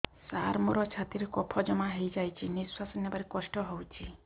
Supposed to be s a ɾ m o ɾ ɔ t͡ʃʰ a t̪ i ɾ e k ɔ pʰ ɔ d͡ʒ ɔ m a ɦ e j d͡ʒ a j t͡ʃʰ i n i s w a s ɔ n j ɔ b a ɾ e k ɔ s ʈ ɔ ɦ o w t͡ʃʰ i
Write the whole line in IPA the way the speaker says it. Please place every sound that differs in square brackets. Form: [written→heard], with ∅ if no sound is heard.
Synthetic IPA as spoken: s a ɾ m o ɾ ɔ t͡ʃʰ a t̪ i ɾ e k ɔ pʰ ɔ d͡ʒ ɔ m a ɦ e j d͡ʒ a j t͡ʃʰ i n i s w a s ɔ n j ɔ b a ɾ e k ɔ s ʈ ɔ ɦ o w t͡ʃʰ i